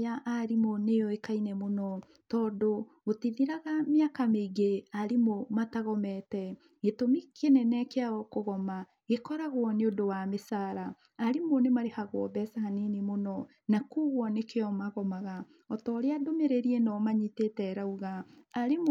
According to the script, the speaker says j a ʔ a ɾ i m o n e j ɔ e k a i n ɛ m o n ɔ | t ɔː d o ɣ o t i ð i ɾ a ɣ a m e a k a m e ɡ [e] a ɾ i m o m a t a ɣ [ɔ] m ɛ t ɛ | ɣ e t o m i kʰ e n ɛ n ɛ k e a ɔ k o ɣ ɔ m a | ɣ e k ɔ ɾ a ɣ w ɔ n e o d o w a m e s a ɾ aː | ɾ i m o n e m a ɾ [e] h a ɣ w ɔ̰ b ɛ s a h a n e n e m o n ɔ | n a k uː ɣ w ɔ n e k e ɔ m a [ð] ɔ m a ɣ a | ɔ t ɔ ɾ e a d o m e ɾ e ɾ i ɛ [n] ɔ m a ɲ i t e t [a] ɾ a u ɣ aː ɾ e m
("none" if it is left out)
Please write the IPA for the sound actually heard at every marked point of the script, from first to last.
e, ɔ, e, ɣ, n, ɛ

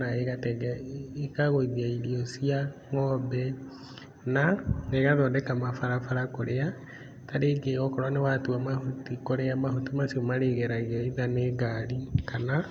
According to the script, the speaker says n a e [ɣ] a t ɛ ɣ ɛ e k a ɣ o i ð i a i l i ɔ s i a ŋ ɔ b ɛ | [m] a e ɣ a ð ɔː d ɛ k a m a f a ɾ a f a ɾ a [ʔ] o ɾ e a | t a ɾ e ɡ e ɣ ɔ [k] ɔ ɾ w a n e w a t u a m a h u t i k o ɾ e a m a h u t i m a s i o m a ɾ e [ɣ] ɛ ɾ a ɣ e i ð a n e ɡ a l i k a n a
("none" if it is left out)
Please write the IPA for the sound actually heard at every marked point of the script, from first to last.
ɣ, n, k, k, ɣ

